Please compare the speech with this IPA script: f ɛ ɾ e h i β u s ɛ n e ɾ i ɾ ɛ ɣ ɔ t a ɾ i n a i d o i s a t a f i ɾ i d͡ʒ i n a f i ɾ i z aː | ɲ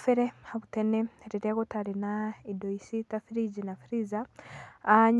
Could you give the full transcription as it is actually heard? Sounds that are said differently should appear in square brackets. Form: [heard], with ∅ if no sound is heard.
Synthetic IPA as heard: f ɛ ɾ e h [a] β u [t] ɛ n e ɾ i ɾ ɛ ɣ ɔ t a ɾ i n a i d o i s [i] t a f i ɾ i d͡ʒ i n a f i ɾ i z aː | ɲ